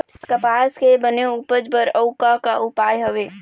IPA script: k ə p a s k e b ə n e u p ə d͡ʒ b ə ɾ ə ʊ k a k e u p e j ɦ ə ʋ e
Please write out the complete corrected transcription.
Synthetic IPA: k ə p a s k e b ə n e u p ə d͡ʒ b ə ɾ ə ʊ k a k a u p a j ɦ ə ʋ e

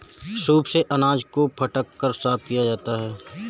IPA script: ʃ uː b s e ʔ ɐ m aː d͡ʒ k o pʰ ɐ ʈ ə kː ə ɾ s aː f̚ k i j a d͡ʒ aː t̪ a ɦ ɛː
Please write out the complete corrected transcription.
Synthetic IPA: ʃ uː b s e ʔ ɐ n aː d͡ʒ k o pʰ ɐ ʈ ə kː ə ɾ s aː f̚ k i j a d͡ʒ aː t̪ a ɦ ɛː

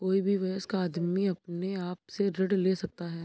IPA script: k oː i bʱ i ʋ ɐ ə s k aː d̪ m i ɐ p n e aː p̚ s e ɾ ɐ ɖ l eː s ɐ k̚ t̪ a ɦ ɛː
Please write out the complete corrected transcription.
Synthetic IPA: k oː i bʱ i ʋ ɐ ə s k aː d̪ m i ɐ p n e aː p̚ s e ɾ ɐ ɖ l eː s ɐ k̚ t̪ a ɦ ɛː

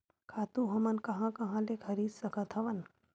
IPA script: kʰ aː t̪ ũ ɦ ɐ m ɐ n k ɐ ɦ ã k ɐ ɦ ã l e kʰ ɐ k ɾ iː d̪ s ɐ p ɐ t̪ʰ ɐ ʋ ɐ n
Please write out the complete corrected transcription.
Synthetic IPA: kʰ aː t̪ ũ ɦ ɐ m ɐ n k ɐ ɦ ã k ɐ ɦ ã l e kʰ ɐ ɾ iː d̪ s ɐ k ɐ t̪ʰ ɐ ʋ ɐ n

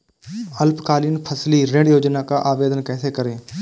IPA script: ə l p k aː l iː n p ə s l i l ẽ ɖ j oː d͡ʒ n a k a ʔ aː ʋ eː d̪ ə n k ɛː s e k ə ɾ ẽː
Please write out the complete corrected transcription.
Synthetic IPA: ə l p k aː l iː n pʰ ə s l i ɾ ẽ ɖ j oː d͡ʒ n a k a ʔ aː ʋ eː d̪ ə n k ɛː s e k ə ɾ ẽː

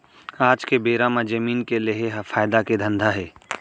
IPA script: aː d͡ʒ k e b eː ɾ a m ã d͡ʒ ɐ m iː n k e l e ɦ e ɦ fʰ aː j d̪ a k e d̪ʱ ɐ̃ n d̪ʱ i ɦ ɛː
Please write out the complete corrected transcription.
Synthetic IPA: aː d͡ʒ k e b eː ɾ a m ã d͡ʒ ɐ m iː n k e l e ɦ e ɦ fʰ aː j d̪ a k e d̪ʱ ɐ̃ n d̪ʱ a ɦ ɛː

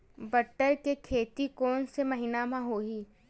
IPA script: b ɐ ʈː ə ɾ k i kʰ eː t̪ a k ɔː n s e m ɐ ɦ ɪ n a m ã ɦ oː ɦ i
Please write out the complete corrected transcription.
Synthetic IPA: b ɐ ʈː ə ɾ k e kʰ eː t̪ i k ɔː n s e m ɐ ɦ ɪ n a m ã ɦ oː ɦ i

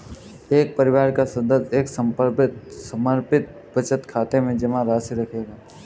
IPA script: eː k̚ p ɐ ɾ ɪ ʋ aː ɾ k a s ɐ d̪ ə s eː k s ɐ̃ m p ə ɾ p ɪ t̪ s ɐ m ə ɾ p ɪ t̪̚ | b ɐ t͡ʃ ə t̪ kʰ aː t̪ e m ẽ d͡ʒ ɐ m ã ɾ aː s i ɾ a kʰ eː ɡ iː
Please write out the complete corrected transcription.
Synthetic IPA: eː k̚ p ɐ ɾ ɪ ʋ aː ɾ k a s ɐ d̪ ə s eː k s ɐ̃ m p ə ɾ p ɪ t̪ s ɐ m ə ɾ p ɪ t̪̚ | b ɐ t͡ʃ ə t̪ kʰ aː t̪ e m ẽ d͡ʒ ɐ m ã ɾ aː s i ɾ ɐ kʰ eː ɡ aː

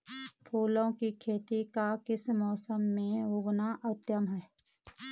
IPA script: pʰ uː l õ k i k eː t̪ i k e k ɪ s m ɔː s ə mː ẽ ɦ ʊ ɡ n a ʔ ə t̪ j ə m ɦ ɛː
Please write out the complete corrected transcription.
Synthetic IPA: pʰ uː l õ k i kʰ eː t̪ i k a k ɪ s m ɔː s ə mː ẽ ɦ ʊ ɡ n a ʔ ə t̪ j ə m ɦ ɛː

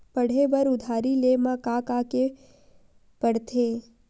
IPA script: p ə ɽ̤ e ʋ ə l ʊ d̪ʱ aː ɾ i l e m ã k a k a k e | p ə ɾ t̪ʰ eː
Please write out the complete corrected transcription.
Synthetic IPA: p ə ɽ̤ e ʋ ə ɾ ʊ d̪ʱ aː ɾ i l e m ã k a k a k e | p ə ɽ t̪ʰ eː

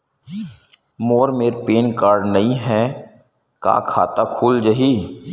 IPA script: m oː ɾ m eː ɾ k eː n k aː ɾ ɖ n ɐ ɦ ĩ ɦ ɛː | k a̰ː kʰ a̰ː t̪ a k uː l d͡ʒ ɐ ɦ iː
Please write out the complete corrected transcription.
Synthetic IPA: m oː ɾ m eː ɾ p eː n k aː ɾ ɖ n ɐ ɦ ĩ ɦ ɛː | k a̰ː kʰ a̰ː t̪ a kʰ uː l d͡ʒ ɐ ɦ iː

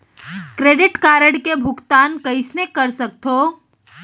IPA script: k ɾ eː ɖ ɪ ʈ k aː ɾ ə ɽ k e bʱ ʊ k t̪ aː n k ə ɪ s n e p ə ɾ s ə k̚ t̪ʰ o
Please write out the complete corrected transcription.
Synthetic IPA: k ɾ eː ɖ ɪ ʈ k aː ɾ ə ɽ k e bʱ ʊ k t̪ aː n k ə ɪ s n e k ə ɾ s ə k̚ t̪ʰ o

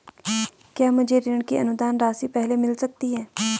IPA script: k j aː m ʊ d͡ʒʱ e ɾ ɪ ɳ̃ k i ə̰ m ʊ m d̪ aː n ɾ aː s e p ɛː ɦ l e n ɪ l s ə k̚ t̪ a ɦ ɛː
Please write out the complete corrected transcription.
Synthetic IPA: k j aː m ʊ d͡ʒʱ e ɾ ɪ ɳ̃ k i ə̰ n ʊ d̪ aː n ɾ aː s i p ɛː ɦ l e m ɪ l s ə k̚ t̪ i ɦ ɛː

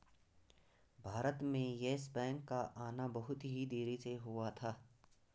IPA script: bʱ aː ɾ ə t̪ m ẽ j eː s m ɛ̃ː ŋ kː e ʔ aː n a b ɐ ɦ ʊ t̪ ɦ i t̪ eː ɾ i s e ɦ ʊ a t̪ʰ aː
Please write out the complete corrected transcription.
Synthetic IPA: bʱ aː ɾ ə t̪ m ẽ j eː s b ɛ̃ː ŋ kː a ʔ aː n a b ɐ ɦ ʊ t̪ ɦ i d̪ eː ɾ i s e ɦ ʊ a t̪ʰ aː

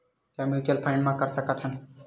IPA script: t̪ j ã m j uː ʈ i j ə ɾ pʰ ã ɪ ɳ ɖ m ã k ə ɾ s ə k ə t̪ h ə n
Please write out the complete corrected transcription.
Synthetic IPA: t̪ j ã m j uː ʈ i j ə l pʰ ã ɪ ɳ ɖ m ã k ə ɾ s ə k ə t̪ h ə n

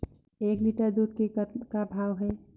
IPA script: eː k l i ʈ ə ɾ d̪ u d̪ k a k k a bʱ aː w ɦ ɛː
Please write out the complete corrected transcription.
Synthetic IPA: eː k l i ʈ ə ɾ d̪ u d̪ k e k k a bʱ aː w ɦ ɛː

